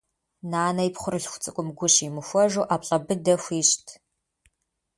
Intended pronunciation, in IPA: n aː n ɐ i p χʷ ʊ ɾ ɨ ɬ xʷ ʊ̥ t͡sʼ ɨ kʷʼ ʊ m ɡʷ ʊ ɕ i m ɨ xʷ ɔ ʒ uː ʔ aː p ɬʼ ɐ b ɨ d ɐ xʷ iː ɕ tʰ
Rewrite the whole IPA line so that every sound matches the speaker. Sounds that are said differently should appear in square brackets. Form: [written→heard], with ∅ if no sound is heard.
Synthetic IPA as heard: n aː n ɐ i p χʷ ʊ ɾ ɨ ɬ xʷ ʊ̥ t͡sʼ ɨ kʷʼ ʊ m ɡʷ ʊ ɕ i m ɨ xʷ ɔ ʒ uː ʔ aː p ɬʼ ɐ b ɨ d ɐ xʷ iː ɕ tʰ